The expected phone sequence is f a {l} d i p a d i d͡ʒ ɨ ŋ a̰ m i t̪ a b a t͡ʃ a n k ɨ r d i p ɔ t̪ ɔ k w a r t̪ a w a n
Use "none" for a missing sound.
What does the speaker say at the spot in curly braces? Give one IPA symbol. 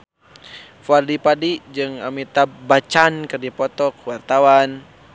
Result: r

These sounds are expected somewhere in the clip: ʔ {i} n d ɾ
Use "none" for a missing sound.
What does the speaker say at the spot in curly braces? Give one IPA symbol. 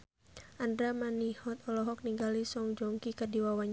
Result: a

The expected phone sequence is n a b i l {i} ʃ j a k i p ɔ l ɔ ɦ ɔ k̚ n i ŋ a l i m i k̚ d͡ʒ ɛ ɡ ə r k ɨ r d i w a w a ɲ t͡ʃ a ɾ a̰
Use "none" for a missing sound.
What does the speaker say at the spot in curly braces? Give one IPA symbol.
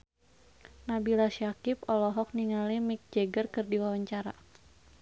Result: a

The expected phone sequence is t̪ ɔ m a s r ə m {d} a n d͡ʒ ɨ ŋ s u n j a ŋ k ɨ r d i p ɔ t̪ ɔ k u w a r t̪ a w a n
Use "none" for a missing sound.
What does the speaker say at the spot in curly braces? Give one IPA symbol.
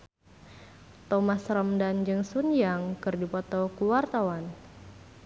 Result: d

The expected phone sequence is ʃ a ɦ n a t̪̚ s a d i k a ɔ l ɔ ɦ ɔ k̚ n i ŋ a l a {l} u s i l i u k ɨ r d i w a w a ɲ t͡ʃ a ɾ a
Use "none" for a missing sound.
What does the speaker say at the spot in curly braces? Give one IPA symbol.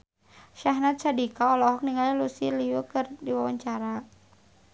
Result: l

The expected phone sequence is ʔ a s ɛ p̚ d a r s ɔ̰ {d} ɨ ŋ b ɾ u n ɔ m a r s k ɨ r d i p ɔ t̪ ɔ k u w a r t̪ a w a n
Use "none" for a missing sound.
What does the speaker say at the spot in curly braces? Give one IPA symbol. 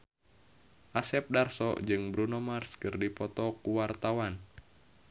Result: d͡ʒ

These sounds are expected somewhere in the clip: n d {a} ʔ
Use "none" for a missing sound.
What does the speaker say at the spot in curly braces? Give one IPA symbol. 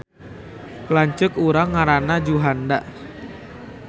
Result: a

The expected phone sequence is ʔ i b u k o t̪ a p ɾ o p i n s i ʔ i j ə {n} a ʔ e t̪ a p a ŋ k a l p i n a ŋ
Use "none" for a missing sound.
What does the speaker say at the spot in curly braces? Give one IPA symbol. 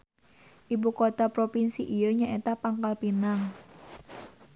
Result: ɲ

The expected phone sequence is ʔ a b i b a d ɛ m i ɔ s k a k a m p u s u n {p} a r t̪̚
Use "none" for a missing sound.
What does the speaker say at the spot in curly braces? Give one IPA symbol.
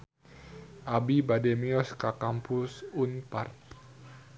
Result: p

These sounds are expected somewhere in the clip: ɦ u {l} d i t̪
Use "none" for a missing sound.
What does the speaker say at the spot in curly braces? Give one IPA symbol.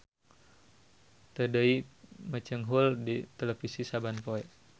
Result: l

